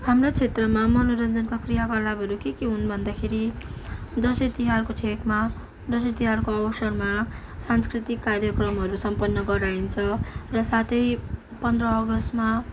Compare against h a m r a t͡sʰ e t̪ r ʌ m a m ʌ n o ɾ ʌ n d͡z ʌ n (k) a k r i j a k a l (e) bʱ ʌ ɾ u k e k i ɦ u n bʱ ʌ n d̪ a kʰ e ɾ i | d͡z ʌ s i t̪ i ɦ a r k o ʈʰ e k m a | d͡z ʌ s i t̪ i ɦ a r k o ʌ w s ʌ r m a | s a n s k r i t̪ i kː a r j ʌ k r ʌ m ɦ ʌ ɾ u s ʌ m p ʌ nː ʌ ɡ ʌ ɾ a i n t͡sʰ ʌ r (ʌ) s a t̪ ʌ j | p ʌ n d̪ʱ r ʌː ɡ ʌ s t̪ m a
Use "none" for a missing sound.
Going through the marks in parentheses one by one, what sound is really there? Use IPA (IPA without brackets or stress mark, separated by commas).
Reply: k, a, ʌ